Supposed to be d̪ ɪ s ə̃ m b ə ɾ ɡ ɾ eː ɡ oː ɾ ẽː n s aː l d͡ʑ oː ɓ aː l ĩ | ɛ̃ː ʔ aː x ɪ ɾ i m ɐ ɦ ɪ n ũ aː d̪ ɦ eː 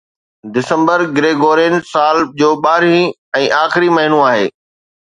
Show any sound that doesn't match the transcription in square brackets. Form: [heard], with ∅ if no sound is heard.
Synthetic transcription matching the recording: d̪ ɪ s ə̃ m b ə ɾ ɡ ɾ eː ɡ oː ɾ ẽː n s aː l d͡ʑ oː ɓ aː [ɾ] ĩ | ɛ̃ː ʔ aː x ɪ ɾ i m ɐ ɦ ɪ n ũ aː [∅] ɦ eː